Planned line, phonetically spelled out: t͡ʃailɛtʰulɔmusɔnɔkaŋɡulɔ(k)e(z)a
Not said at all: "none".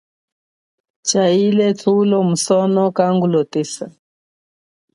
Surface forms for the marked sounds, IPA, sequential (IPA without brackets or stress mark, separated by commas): t, s